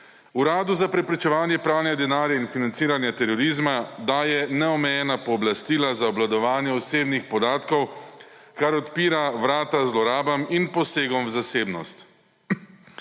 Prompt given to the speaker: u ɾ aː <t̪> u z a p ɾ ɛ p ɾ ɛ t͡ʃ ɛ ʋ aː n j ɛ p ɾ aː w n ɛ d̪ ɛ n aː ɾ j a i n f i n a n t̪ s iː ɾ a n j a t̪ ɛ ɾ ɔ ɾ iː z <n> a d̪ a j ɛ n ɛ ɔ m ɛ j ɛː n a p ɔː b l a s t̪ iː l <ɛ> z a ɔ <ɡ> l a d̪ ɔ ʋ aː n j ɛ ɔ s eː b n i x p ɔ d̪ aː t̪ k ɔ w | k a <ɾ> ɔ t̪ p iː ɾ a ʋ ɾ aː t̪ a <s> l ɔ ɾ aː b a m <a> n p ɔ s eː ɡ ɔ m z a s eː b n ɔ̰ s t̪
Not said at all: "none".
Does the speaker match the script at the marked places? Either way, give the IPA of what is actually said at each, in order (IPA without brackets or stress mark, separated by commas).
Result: d̪, m, a, b, ɾ, z, i